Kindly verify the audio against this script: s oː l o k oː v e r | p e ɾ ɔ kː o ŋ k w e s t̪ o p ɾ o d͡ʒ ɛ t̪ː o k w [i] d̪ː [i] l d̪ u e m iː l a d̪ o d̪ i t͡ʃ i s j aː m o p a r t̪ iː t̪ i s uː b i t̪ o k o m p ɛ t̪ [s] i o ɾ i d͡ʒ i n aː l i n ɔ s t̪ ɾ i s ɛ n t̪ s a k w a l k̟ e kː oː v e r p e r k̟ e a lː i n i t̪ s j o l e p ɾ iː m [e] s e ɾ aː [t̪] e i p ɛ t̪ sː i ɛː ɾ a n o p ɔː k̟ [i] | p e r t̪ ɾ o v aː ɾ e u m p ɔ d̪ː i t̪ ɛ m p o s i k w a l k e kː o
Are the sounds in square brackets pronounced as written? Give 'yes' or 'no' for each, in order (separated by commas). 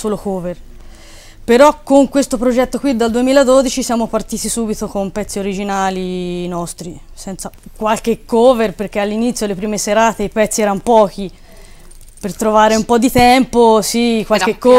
yes, no, no, yes, yes, yes